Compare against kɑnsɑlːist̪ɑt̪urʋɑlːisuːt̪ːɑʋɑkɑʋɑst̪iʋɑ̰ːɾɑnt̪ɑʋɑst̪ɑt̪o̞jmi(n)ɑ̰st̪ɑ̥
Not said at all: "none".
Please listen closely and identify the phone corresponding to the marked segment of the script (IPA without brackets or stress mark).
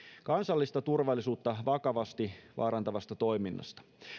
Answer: nː